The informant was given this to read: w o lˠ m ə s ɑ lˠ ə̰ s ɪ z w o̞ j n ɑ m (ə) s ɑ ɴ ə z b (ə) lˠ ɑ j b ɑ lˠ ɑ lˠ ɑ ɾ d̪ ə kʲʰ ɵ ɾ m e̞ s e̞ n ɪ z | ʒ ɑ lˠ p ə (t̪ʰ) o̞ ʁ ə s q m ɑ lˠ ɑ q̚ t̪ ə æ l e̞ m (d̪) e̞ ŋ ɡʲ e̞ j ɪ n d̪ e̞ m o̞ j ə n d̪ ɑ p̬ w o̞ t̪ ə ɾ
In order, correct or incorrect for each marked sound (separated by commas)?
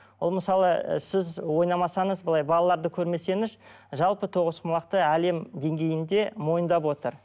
incorrect, correct, correct, correct